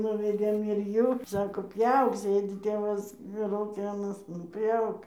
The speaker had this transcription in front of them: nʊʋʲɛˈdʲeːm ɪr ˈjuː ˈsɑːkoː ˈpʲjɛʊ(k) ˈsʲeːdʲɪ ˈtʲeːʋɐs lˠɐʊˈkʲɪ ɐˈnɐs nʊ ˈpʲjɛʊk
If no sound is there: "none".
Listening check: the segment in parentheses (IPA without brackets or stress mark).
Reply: k